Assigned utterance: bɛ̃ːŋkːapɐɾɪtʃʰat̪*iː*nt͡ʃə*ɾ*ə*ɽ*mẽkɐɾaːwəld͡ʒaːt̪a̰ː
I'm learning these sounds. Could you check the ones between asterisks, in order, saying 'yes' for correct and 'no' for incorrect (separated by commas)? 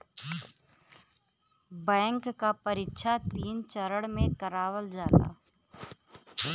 yes, yes, yes